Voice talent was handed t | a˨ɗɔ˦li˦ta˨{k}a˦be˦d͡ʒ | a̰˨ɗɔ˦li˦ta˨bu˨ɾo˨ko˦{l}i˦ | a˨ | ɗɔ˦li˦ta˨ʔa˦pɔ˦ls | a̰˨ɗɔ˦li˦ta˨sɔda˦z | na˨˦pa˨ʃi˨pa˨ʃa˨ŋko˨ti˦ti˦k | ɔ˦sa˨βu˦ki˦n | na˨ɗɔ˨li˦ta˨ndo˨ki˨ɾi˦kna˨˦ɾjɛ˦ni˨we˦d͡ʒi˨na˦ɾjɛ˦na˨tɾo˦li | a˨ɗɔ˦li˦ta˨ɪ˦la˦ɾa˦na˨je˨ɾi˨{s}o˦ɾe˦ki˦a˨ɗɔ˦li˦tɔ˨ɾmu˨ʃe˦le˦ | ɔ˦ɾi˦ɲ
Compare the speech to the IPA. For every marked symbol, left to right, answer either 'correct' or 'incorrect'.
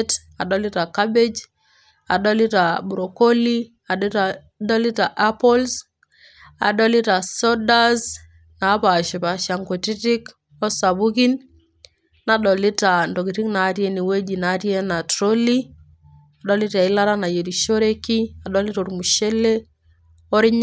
correct, correct, incorrect

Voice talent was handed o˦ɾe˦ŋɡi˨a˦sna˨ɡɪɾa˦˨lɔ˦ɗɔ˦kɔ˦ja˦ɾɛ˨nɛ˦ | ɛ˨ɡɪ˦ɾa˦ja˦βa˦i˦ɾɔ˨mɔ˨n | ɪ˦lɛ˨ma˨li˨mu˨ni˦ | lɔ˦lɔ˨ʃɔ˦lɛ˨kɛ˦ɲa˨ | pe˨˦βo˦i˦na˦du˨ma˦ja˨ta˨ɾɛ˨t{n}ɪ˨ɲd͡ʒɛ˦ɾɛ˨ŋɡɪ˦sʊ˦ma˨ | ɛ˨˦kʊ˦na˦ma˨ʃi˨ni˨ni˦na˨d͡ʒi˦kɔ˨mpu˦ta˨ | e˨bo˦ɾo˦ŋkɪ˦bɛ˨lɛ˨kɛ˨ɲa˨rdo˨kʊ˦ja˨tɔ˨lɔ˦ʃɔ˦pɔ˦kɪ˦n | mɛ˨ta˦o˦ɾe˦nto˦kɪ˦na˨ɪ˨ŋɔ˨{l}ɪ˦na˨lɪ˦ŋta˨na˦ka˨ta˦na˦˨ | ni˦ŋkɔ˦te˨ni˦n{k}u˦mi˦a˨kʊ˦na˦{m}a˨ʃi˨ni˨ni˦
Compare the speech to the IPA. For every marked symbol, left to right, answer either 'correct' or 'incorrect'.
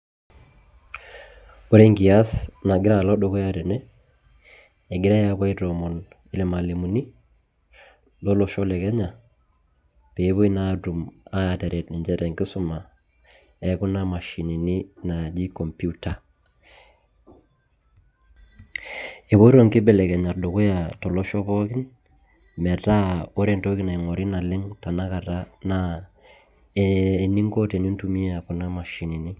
correct, incorrect, incorrect, correct

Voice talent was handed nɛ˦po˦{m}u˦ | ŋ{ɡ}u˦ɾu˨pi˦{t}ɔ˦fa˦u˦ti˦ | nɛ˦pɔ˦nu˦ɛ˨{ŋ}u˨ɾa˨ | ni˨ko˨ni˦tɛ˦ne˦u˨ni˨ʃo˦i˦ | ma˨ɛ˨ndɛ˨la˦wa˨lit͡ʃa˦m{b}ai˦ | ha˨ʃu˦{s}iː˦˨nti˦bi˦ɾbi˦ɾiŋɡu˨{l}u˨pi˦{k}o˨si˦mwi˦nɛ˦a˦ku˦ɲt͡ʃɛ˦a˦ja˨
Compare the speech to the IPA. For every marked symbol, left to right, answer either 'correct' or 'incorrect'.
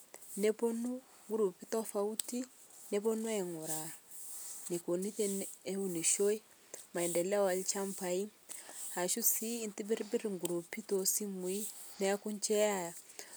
incorrect, correct, correct, correct, incorrect, correct, incorrect, incorrect

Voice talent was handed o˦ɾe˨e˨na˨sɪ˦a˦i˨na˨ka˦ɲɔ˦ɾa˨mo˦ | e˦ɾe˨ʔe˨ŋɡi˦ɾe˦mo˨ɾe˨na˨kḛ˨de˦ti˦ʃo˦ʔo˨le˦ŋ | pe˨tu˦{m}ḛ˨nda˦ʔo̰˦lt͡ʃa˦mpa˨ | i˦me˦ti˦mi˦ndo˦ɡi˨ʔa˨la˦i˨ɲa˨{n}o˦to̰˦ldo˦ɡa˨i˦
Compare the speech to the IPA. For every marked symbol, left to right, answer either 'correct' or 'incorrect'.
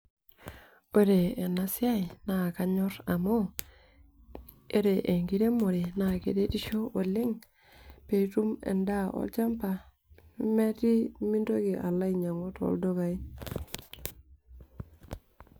correct, incorrect

